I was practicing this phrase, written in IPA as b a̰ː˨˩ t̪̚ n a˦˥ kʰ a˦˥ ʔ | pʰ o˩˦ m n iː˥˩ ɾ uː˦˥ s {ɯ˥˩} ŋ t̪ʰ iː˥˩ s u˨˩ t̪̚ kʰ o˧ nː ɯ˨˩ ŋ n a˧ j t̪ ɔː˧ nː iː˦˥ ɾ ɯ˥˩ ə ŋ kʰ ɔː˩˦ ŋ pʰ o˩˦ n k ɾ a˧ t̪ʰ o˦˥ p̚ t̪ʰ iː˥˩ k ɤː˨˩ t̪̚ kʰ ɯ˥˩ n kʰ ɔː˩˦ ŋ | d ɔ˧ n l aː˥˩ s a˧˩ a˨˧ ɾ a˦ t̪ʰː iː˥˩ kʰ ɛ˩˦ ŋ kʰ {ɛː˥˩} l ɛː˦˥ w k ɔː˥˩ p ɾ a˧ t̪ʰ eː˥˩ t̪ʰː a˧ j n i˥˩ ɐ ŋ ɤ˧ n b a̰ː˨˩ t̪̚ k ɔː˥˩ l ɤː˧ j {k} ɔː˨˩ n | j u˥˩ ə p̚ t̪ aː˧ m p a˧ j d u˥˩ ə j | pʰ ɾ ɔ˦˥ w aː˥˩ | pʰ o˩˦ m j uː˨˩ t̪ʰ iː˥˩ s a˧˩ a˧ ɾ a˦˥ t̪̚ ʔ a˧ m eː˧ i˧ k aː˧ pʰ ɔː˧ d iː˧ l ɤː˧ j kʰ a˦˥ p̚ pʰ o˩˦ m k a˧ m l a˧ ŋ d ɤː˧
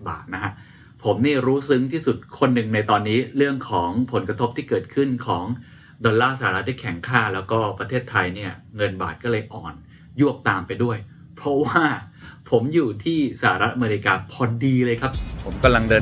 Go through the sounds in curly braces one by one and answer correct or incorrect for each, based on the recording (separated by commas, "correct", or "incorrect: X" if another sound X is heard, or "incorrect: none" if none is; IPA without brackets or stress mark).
incorrect: ɯ˦˥, incorrect: aː˥˩, incorrect: ʔ